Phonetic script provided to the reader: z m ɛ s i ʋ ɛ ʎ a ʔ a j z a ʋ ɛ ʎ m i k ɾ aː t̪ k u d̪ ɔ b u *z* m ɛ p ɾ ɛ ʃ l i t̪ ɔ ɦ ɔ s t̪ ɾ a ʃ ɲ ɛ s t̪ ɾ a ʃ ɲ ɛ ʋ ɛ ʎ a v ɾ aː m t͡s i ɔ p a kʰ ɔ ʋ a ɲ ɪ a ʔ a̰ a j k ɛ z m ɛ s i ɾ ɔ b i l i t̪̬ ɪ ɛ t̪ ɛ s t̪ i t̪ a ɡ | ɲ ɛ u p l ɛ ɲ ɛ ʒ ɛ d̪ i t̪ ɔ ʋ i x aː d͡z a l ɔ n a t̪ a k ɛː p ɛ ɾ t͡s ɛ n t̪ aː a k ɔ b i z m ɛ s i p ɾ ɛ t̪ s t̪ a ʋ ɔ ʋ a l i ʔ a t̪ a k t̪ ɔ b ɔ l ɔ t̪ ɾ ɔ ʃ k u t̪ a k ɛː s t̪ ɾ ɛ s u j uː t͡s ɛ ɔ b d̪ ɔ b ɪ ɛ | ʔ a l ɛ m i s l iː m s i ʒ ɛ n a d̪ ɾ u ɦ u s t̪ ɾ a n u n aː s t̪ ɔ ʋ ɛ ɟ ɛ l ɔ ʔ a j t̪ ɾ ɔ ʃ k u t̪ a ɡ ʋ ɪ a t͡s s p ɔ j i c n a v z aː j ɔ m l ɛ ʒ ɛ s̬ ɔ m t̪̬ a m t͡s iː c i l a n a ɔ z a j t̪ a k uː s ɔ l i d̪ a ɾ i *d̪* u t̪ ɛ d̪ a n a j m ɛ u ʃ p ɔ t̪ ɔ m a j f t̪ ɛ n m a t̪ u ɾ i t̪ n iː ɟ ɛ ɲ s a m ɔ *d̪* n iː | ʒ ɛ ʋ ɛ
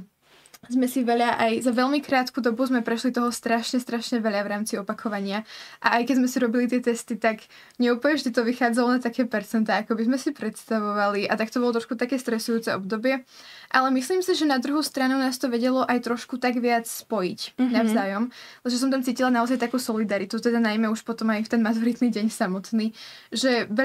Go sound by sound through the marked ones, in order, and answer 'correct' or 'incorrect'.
correct, incorrect: t̪, incorrect: t̪

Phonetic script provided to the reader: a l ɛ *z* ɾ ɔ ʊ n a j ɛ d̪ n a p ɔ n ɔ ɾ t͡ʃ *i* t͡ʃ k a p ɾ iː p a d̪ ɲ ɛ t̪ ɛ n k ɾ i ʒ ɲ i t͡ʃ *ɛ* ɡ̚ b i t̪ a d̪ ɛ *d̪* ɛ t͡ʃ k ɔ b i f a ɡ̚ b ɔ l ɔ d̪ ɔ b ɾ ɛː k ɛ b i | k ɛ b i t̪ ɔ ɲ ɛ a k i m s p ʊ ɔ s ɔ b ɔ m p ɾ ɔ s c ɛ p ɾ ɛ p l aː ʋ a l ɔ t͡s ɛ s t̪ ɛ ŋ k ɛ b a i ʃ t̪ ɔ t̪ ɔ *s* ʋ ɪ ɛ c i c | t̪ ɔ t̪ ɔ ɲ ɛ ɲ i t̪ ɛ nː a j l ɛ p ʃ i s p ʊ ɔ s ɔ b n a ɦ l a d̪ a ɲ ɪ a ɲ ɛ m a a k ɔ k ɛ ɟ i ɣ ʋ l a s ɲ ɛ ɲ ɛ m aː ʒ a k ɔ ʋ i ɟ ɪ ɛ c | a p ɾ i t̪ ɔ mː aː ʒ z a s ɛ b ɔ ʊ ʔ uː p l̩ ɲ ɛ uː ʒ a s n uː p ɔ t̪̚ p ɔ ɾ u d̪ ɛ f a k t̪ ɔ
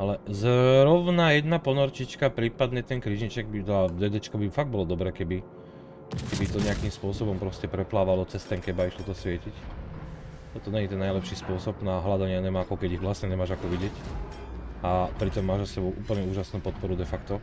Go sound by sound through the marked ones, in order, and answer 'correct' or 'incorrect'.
correct, correct, correct, correct, correct

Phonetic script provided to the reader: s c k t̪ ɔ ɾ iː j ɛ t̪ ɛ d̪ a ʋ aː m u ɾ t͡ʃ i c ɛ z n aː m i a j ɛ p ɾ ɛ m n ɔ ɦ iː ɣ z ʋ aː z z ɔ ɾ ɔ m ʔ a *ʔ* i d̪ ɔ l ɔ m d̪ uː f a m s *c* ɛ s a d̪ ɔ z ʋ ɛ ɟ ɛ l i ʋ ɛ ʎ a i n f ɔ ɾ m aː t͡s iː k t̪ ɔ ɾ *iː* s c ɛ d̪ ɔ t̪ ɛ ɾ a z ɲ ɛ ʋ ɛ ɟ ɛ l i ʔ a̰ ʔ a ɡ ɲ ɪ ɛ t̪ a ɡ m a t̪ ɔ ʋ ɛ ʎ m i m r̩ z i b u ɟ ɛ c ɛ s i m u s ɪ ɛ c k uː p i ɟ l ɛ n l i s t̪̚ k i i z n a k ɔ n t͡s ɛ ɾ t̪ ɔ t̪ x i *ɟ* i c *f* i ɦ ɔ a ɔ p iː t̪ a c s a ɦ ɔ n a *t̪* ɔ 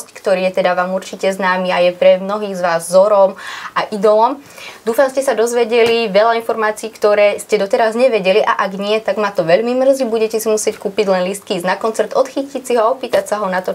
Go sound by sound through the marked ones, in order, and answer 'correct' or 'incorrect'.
correct, correct, incorrect: ɛː, incorrect: c, incorrect: s, correct

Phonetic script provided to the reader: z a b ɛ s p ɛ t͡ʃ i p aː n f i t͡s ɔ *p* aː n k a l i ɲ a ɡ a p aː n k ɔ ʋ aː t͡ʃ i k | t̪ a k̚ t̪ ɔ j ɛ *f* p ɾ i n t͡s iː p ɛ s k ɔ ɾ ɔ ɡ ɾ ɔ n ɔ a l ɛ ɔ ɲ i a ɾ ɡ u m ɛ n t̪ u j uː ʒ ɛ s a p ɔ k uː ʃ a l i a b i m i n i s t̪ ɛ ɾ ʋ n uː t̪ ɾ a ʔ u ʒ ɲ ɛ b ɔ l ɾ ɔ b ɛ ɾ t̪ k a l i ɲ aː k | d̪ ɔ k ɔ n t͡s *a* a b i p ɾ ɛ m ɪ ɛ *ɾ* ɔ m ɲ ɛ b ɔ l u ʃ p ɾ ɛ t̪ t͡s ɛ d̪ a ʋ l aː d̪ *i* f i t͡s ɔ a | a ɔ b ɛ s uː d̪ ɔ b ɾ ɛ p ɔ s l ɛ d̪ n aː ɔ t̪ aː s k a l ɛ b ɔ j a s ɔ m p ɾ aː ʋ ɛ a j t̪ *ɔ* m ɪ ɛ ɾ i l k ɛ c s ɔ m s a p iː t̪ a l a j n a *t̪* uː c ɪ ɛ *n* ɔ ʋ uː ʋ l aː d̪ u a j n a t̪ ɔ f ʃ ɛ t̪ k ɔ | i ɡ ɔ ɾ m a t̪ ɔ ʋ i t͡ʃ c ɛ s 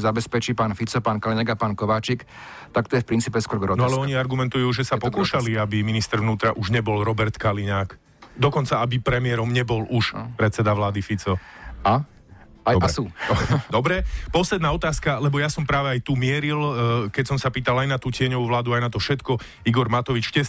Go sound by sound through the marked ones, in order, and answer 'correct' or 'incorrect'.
correct, correct, correct, correct, correct, incorrect: u, correct, incorrect: ɲ

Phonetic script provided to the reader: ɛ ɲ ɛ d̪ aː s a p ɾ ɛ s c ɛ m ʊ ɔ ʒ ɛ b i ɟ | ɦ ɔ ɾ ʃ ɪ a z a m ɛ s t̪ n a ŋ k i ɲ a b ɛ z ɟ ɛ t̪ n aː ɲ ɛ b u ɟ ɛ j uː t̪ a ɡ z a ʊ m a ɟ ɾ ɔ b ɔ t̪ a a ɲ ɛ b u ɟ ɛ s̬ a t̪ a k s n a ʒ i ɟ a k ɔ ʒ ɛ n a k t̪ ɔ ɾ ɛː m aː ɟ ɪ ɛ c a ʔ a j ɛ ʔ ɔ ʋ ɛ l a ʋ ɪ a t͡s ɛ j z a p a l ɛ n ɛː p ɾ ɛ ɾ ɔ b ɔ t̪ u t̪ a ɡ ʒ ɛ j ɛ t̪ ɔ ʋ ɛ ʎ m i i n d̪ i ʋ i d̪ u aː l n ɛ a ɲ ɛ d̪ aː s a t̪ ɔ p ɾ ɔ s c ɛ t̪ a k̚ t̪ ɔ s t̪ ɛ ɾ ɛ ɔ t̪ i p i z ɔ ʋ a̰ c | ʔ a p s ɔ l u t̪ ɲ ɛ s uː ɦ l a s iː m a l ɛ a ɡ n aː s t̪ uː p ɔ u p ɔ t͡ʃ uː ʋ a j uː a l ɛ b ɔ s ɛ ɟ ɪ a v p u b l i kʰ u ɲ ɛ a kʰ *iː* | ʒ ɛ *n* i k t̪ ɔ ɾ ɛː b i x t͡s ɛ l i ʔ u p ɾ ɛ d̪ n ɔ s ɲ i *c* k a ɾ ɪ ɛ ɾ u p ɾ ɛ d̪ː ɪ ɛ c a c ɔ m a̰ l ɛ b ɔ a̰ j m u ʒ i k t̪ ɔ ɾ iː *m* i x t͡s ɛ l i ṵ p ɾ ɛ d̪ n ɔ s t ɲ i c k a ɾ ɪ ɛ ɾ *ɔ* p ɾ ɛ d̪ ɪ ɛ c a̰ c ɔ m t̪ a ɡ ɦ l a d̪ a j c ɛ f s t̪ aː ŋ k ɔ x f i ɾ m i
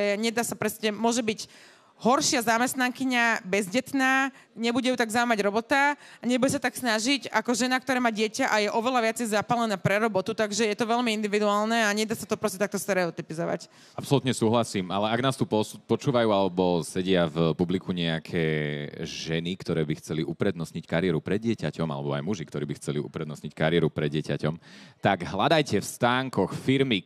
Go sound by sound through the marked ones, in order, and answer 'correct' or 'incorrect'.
incorrect: ɛː, correct, correct, incorrect: b, incorrect: u

